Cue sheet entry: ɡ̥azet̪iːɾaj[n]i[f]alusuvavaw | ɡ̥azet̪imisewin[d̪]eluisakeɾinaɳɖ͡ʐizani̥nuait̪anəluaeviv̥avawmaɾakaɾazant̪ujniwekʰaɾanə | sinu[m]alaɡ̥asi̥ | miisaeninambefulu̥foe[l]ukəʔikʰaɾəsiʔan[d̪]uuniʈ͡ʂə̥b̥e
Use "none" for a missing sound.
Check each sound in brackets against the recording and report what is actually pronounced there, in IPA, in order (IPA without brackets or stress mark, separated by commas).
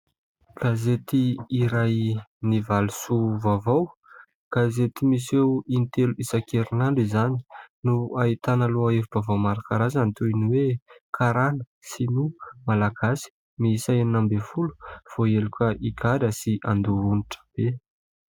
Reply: n, v, t̪, m, l, d̪